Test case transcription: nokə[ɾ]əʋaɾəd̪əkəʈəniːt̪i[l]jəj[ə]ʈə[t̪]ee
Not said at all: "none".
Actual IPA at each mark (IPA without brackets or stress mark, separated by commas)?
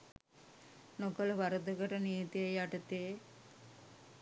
l, none, a, t̪